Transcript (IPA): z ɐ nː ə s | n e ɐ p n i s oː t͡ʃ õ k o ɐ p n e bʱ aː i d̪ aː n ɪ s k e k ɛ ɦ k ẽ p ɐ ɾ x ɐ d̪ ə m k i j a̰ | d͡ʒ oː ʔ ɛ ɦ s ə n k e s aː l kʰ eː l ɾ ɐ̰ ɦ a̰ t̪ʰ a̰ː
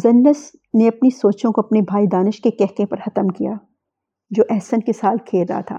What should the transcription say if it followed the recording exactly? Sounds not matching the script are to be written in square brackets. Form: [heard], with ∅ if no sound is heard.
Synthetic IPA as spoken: z ɐ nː ə s | n e ɐ p n i s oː t͡ʃ õ k o ɐ p n e bʱ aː i d̪ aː n ɪ [ʃ] k e k ɛ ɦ k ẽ p ɐ ɾ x ɐ [t̪] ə m k i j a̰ | d͡ʒ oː ʔ ɛ ɦ s ə n k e s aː l kʰ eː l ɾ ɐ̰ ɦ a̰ t̪ʰ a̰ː